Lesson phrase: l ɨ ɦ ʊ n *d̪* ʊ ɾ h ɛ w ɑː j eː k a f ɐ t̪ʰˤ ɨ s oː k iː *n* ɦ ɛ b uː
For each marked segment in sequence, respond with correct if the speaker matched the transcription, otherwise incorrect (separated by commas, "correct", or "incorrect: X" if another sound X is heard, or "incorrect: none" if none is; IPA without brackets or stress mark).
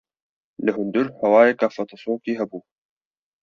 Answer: correct, incorrect: none